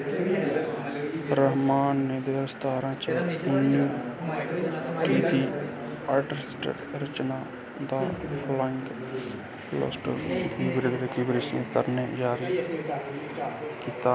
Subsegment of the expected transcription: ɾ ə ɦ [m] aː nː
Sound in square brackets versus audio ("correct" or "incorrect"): correct